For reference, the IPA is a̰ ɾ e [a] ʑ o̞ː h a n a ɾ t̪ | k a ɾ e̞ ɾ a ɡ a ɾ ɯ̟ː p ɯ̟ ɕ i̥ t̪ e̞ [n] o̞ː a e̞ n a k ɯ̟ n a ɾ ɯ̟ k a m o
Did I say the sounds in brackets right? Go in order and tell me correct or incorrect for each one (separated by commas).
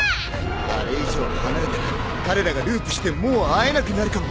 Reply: incorrect, incorrect